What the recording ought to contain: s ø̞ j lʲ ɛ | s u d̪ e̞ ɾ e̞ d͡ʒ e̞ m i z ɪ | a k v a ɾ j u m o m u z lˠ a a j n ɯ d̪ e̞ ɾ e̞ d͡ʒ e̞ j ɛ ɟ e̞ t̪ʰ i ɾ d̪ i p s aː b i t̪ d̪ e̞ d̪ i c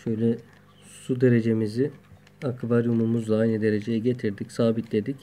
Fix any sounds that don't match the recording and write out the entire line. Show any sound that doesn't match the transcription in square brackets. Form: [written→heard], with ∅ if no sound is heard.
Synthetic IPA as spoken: [s→ʃ] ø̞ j lʲ ɛ | s u d̪ e̞ ɾ e̞ d͡ʒ e̞ m i z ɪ | a k v a ɾ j u m [o→u] m u z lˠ a a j n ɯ d̪ e̞ ɾ e̞ d͡ʒ e̞ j ɛ ɟ e̞ t̪ʰ i ɾ d̪ i [p→c] s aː b i t̪ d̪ e̞ d̪ i c